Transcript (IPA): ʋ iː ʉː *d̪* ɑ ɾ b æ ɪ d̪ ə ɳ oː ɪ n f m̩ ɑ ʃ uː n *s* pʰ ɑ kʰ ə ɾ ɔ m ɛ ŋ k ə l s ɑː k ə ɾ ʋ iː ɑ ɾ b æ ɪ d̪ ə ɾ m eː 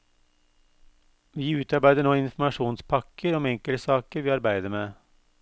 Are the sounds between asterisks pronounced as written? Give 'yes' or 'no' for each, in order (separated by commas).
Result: no, yes